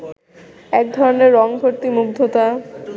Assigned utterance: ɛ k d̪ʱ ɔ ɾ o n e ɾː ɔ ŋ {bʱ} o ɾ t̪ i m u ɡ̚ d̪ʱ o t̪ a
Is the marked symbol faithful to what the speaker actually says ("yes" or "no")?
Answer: yes